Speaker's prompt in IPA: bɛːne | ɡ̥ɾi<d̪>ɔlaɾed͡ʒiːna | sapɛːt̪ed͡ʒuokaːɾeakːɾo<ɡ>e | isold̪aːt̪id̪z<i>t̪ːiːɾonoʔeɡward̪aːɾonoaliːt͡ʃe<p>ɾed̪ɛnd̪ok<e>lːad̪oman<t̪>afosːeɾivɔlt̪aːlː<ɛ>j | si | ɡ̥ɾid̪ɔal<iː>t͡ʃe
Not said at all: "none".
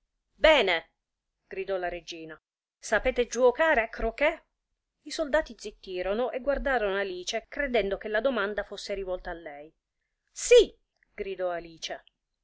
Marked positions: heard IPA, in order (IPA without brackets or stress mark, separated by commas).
d̪, k, i, k, e, d̪, ɛ, iː